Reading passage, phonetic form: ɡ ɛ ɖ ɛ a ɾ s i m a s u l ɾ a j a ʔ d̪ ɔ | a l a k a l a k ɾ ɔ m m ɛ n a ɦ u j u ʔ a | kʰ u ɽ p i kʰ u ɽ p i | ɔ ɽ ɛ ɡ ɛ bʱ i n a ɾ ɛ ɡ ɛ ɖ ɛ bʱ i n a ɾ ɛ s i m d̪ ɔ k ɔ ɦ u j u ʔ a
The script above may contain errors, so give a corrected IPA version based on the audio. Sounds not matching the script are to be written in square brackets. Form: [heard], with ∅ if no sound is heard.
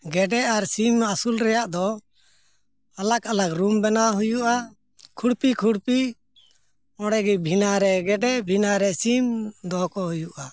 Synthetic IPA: ɡ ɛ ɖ ɛ a ɾ s i m a s u l ɾ [ɛ] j a ʔ d̪ ɔ | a l a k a l a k ɾ [u] m [b] ɛ n a ɦ u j u ʔ a | kʰ u ɽ p i kʰ u ɽ p i | ɔ ɽ ɛ ɡ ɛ bʱ i n a ɾ ɛ ɡ ɛ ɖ ɛ bʱ i n a ɾ ɛ s i m d̪ ɔ k ɔ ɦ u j u ʔ a